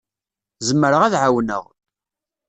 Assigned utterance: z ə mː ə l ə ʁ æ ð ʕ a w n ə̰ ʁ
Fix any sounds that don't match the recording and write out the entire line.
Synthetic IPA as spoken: z ə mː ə ɾ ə ʁ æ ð ʕ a w n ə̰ ʁ